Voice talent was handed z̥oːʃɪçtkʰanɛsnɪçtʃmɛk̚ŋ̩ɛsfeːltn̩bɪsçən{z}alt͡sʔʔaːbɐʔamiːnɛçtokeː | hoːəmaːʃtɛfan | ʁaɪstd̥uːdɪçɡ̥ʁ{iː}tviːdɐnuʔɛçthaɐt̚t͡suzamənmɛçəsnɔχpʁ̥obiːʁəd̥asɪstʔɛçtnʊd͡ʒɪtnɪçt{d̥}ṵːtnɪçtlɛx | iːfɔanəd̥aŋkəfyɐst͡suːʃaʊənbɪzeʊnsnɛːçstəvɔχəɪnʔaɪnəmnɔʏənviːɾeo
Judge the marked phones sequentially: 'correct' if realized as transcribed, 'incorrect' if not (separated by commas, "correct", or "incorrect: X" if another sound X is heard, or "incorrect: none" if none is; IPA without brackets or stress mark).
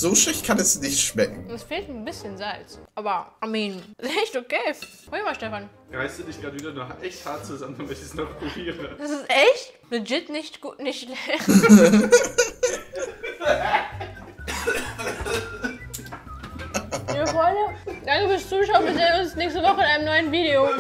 correct, incorrect: aː, incorrect: ɡ̥